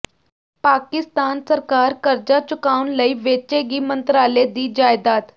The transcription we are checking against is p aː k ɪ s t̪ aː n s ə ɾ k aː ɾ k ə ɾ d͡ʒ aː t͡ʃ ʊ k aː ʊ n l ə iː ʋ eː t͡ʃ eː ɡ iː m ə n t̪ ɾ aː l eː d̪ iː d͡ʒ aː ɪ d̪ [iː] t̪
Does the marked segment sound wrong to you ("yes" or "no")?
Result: yes